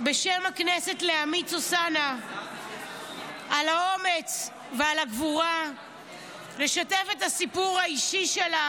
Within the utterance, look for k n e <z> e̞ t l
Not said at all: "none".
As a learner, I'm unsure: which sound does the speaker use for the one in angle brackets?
s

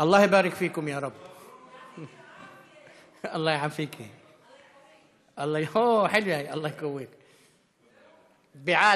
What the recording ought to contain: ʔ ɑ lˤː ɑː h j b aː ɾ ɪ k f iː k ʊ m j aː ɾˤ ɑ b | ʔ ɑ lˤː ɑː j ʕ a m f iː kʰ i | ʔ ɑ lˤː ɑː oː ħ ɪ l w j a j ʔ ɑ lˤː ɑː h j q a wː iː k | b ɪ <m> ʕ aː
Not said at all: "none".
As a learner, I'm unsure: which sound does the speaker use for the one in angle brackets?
none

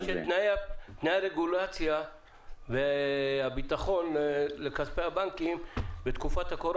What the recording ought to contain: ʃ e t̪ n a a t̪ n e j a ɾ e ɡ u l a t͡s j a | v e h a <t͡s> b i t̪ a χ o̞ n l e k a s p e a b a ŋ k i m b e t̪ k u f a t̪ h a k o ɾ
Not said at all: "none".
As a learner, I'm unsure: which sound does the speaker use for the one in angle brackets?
none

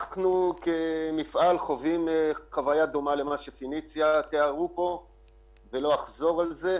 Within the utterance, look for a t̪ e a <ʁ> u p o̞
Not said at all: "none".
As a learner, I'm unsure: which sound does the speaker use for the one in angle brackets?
ʁ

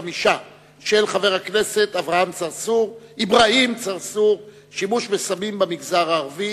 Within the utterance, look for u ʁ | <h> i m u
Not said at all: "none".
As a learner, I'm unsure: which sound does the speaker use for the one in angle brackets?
ʃ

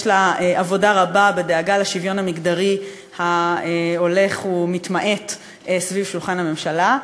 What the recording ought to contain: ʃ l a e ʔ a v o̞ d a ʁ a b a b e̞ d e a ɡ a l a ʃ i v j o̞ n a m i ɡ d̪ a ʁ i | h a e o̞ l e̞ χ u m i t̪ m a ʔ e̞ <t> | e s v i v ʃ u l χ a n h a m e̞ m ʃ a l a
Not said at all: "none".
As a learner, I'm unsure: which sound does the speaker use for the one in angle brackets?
t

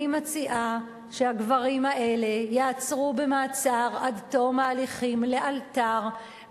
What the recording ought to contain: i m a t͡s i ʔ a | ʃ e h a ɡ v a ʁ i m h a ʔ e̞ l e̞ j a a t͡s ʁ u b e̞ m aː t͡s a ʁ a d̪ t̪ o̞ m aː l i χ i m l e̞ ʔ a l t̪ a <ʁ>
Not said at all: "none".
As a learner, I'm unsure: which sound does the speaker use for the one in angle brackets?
ʁ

